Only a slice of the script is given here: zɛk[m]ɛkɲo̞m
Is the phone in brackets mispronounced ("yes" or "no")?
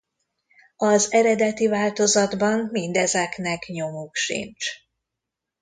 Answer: yes